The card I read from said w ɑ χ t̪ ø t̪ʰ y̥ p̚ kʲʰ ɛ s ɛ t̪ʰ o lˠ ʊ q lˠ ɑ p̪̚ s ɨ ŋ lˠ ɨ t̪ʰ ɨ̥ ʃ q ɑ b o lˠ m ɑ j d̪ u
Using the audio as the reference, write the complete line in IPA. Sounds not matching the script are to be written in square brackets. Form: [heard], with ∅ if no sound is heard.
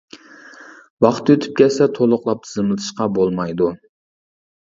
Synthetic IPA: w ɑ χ t̪ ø t̪ʰ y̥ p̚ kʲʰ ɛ s ɛ t̪ʰ o lˠ ʊ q lˠ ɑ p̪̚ [z] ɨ [m] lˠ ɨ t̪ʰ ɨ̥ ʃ q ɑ b o lˠ m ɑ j d̪ u